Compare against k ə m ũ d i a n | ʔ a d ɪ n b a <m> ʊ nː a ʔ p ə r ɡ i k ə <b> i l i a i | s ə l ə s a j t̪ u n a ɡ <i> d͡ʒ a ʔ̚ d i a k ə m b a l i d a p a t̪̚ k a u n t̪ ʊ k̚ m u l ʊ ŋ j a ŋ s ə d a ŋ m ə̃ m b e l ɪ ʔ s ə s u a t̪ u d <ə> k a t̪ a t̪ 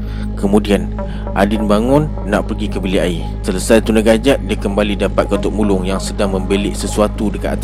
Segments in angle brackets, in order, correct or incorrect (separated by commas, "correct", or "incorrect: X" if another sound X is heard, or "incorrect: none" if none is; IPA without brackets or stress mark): incorrect: ŋ, correct, incorrect: a, correct